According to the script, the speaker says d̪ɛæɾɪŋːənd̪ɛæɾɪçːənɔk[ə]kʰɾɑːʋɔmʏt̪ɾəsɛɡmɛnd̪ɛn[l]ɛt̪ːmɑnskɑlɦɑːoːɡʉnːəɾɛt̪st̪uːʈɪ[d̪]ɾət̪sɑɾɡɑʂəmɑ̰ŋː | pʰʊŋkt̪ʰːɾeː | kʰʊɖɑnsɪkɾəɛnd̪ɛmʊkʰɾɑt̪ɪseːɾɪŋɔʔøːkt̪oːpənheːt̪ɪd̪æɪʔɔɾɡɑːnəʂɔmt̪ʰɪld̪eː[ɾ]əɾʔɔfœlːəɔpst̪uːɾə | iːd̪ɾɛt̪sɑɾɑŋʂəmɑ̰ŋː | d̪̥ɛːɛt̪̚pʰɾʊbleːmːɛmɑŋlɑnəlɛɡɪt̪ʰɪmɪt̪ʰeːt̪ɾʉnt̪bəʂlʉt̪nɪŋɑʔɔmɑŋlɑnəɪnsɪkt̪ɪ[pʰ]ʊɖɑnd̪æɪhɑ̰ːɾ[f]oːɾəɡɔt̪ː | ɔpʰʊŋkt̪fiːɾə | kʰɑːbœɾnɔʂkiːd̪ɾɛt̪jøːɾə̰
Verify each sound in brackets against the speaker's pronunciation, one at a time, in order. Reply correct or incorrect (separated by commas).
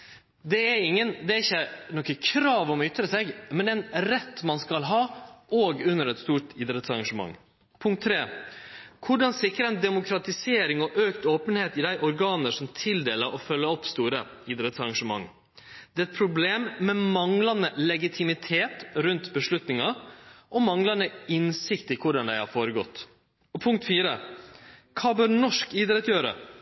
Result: correct, incorrect, correct, incorrect, incorrect, correct